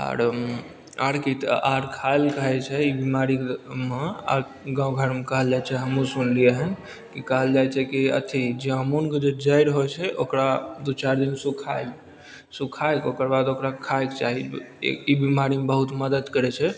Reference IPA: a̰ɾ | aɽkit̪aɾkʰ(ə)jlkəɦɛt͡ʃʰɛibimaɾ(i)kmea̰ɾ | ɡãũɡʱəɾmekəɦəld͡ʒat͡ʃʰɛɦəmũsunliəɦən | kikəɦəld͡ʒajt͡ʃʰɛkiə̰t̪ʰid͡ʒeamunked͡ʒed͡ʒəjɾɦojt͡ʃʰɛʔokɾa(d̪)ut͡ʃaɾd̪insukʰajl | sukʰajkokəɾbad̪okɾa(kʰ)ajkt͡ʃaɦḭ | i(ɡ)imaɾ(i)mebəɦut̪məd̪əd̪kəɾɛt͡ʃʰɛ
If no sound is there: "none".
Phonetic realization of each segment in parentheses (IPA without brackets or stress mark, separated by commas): a, i, d̪, kʰ, b, i